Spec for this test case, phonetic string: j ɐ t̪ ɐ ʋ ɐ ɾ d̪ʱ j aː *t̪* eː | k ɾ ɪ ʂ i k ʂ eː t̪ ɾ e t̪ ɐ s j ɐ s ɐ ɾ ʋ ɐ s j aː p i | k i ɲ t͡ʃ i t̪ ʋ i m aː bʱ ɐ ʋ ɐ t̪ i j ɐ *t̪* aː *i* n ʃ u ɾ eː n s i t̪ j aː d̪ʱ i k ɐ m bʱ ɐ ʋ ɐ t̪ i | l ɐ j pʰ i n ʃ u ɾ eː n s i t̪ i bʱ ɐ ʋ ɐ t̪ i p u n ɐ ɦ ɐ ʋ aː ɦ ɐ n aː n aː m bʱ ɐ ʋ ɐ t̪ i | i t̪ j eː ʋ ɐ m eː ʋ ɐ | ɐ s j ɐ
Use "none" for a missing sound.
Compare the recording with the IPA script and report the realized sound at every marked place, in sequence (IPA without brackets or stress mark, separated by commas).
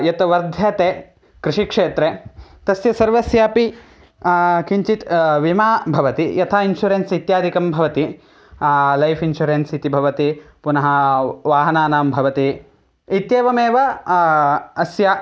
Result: t̪, t̪ʰ, i